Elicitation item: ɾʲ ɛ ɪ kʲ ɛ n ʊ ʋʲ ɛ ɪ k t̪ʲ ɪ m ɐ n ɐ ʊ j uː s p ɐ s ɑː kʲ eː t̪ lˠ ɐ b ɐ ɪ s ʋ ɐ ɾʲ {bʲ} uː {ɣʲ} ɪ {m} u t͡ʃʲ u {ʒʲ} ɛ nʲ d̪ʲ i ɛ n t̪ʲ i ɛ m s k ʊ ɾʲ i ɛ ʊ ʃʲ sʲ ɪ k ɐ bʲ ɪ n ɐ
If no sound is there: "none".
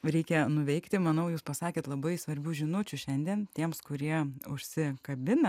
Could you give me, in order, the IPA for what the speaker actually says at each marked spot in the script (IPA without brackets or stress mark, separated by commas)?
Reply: bʲ, ʒʲ, n, ʃʲ